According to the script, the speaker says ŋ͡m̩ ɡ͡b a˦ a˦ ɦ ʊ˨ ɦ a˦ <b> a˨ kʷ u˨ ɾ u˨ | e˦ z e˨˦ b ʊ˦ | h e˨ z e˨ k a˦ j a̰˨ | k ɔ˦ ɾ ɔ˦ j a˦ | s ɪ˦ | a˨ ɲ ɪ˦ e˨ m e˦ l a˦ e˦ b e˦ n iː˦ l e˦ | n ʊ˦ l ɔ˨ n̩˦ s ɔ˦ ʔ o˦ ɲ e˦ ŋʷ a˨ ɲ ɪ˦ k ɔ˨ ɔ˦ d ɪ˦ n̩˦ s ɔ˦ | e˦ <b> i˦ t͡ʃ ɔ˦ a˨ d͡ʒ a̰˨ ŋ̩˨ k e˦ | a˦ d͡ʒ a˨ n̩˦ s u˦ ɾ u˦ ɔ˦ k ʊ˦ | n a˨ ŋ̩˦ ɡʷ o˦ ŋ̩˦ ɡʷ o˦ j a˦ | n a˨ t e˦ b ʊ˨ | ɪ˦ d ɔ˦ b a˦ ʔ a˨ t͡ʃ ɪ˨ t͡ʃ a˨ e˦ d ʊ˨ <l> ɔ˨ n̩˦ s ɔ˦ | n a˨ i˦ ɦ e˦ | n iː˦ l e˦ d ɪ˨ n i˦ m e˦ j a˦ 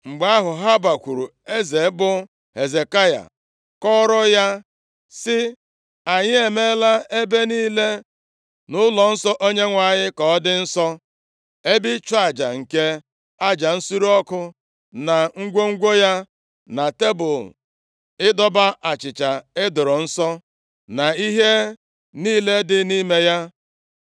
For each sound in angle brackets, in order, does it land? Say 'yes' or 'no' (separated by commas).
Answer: yes, yes, no